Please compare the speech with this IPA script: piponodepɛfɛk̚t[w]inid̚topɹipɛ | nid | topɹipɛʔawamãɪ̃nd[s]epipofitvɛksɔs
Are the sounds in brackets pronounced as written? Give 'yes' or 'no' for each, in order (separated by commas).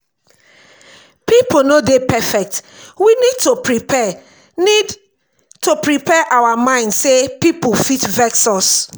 yes, yes